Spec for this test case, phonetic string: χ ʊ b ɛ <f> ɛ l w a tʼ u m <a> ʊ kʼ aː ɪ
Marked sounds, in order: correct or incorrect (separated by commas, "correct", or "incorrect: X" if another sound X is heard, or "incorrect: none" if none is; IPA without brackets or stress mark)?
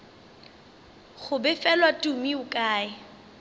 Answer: correct, incorrect: i